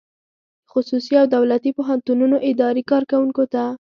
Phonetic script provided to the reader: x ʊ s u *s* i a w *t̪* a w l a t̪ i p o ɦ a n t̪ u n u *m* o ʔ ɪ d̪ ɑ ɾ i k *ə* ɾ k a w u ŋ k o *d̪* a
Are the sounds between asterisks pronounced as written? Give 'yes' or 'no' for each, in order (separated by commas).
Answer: yes, no, no, no, no